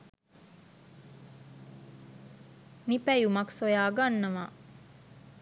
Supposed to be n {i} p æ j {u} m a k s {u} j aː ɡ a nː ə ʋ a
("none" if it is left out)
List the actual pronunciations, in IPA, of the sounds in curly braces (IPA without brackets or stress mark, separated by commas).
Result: i, u, o